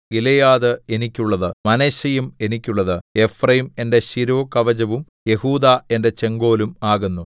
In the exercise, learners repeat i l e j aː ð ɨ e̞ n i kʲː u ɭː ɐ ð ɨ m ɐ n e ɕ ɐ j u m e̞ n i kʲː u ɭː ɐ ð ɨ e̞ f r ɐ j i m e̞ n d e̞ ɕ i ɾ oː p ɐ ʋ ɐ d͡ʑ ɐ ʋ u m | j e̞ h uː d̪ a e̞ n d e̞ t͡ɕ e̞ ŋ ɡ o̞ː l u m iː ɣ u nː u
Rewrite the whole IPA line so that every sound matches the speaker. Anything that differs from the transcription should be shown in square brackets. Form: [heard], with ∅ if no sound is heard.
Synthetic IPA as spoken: i l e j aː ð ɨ e̞ n i kʲː u ɭː ɐ ð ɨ m ɐ n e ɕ ɐ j u m e̞ n i kʲː u ɭː ɐ ð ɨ e̞ f r ɐ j i m e̞ n d e̞ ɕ i ɾ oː [k] ɐ ʋ ɐ d͡ʑ ɐ ʋ u m | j e̞ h uː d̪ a e̞ n d e̞ t͡ɕ e̞ ŋ ɡ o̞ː l u m [aː] ɣ u nː u